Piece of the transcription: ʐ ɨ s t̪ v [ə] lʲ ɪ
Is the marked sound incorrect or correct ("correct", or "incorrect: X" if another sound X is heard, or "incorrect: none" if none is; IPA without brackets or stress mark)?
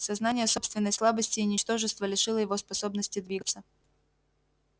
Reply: correct